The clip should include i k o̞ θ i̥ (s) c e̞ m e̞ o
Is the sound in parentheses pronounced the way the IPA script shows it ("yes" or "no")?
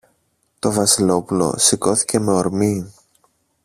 no